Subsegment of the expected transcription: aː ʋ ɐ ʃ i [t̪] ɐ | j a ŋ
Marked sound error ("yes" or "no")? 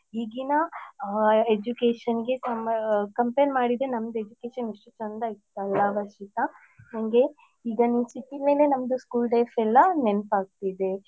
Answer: no